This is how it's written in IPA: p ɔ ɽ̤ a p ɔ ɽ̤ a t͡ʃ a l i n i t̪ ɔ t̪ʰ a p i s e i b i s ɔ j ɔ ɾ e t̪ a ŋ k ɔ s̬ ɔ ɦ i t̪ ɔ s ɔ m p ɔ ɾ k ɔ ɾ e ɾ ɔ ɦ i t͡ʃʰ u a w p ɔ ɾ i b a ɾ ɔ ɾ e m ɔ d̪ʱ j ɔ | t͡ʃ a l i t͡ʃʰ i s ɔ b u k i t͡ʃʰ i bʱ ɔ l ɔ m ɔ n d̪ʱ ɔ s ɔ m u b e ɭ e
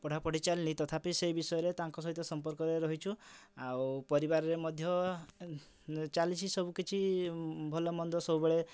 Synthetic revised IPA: p ɔ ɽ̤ a p ɔ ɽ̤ i t͡ʃ a l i n i t̪ ɔ t̪ʰ a p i s e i b i s ɔ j ɔ ɾ e t̪ a ŋ k ɔ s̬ ɔ ɦ i t̪ ɔ s ɔ m p ɔ ɾ k ɔ ɾ e ɾ ɔ ɦ i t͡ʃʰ u a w p ɔ ɾ i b a ɾ ɔ ɾ e m ɔ d̪ʱ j ɔ | t͡ʃ a l i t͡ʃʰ i s ɔ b u k i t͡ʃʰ i bʱ ɔ l ɔ m ɔ n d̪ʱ ɔ s ɔ b u b e ɭ e